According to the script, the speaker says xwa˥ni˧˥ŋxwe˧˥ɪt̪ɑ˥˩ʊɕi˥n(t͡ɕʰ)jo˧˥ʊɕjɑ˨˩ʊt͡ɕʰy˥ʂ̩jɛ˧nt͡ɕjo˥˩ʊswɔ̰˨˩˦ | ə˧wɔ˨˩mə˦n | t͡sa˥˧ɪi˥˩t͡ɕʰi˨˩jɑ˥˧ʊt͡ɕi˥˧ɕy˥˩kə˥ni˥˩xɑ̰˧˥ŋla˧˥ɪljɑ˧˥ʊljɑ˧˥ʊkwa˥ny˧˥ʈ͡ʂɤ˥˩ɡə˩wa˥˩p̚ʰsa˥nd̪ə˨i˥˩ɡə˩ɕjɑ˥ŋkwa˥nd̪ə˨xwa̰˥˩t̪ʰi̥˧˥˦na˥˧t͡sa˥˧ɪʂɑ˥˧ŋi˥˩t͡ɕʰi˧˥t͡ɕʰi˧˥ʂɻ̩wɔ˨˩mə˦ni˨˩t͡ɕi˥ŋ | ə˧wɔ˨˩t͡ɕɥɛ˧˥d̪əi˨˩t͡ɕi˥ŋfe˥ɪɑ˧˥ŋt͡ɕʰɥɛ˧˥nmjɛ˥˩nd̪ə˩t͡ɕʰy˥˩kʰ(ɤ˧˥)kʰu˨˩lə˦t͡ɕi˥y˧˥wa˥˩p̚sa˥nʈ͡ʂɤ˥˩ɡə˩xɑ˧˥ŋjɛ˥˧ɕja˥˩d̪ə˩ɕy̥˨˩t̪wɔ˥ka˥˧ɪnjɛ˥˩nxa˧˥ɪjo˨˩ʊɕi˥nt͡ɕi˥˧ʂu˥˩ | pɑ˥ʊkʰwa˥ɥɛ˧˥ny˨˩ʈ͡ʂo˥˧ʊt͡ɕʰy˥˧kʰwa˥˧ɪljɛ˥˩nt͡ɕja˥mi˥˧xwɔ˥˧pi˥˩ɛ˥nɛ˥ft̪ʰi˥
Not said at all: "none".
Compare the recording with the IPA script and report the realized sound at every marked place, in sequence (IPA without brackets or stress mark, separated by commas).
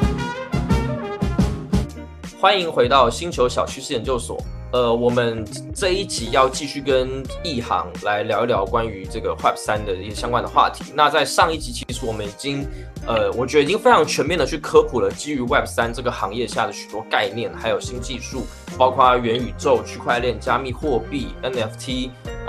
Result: t͡ɕʰ, ɤ˥